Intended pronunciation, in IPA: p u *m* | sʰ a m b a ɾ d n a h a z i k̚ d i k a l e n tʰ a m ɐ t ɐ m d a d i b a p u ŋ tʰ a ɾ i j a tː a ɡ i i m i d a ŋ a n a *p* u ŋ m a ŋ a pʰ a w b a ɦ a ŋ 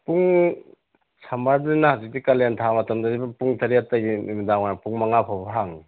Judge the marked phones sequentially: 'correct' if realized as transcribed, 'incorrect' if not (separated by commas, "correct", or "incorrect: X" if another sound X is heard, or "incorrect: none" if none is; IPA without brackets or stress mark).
incorrect: ŋ, correct